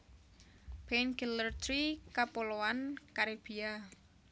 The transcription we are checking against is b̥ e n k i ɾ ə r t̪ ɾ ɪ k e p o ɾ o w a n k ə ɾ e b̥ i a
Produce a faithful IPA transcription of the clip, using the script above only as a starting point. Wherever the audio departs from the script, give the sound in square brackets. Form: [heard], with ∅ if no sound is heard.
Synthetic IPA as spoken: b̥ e n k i [l] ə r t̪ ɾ [i] k [a] p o [l] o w a n k [a] ɾ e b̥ i a